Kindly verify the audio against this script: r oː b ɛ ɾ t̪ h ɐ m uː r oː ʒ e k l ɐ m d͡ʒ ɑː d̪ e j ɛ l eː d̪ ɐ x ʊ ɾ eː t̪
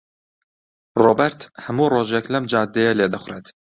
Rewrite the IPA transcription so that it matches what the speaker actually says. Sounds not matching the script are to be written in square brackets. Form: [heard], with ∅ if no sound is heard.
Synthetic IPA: r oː b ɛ ɾ t̪ h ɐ m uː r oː ʒ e k l ɐ m d͡ʒ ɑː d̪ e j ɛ l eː d̪ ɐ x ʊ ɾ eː t̪